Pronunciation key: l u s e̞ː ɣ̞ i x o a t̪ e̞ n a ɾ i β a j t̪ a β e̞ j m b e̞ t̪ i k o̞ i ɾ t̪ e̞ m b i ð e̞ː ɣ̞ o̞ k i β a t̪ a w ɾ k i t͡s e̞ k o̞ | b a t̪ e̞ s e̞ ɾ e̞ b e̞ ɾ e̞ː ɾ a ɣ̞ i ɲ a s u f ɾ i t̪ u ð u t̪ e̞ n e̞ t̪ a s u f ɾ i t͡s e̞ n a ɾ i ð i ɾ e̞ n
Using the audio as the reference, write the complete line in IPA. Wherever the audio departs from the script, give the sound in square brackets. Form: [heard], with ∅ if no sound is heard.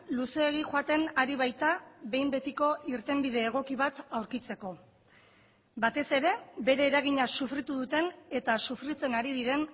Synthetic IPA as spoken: l u s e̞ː ɣ̞ i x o a t̪ e̞ n a ɾ i β a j t̪ a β e̞ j m b e̞ t̪ i k o̞ i ɾ t̪ e̞ m b i ð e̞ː ɣ̞ o̞ k i β a t̪ a w ɾ k i t͡s e̞ k o̞ | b a t̪ e̞ s e̞ ɾ e̞ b e̞ ɾ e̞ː ɾ a ɣ̞ i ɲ a s u f ɾ i t̪ u ð u t̪ e̞ n e̞ t̪ a s u f ɾ i t͡s e̞ n a ɾ i ð i ɾ e̞ n